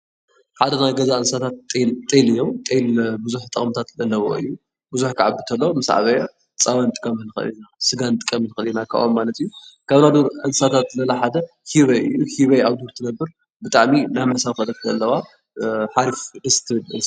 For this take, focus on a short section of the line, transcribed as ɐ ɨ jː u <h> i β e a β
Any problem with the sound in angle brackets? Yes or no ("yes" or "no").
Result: no